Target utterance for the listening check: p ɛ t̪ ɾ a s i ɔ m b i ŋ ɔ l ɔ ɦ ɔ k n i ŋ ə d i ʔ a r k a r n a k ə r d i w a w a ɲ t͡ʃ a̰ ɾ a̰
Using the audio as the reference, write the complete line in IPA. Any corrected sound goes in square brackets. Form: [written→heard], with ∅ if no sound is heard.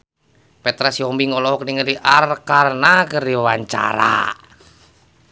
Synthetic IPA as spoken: p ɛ t̪ ɾ a s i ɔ m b i ŋ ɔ l ɔ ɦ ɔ k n i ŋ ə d i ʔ a r k a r n a k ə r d i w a w a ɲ t͡ʃ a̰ ɾ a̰